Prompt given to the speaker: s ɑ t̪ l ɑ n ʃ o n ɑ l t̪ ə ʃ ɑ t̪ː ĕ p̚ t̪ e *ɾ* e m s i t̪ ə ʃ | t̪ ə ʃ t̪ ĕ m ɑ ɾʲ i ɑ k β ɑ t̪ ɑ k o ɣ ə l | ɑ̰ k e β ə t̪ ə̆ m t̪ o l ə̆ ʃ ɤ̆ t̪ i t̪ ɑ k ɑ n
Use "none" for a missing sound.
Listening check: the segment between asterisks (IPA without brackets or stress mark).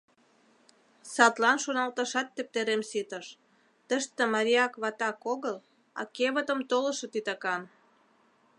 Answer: ɾ